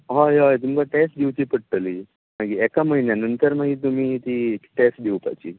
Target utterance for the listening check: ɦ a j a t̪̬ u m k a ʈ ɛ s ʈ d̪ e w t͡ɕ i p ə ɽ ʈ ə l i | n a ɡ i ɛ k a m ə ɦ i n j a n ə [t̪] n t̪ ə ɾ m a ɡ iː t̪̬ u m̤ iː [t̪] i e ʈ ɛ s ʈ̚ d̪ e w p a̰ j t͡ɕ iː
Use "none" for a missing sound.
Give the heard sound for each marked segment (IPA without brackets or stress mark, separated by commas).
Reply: none, t̪